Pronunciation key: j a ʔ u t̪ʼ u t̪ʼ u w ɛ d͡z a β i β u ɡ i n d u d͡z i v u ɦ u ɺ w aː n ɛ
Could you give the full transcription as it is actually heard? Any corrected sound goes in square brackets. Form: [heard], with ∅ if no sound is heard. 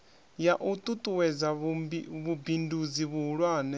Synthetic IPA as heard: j a ʔ u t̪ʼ u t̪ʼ u w ɛ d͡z a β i β u [b] i n d u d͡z i [β] u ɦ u ɺ w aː n ɛ